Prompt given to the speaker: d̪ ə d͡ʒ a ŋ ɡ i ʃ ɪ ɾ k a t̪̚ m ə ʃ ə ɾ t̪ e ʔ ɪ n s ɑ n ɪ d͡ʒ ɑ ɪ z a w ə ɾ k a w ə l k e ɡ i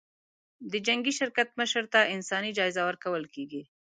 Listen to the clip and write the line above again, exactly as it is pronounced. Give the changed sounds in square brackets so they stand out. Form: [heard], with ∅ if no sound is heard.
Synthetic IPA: d̪ ə d͡ʒ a ŋ ɡ i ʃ ɪ ɾ k a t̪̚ m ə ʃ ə ɾ t̪ [a] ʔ ɪ n s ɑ n [i] d͡ʒ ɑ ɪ z a w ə ɾ k a w ə l k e ɡ i